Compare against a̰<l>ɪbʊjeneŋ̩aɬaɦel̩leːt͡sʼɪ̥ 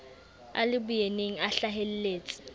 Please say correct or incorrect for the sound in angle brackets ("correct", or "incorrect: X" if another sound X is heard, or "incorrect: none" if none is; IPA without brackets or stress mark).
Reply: correct